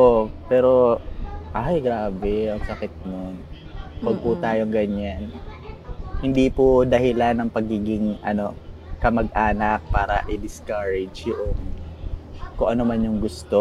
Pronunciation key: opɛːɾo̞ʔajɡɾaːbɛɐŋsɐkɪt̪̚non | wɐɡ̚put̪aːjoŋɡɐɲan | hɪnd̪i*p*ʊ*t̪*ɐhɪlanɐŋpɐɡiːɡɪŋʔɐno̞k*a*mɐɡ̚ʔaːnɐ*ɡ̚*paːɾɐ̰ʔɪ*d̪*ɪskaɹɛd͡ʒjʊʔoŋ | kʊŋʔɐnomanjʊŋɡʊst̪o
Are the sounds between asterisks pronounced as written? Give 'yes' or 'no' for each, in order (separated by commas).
yes, no, no, no, yes